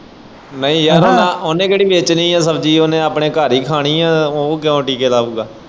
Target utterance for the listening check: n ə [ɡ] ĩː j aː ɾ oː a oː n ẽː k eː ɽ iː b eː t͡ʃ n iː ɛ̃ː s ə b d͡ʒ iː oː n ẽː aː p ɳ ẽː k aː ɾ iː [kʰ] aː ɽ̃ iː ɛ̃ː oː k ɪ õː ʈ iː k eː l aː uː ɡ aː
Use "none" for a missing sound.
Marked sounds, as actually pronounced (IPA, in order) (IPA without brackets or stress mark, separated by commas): none, kʰ